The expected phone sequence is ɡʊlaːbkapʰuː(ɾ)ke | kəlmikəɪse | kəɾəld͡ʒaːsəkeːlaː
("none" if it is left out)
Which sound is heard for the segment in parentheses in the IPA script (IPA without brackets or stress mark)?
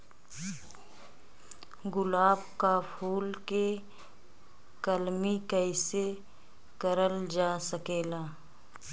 l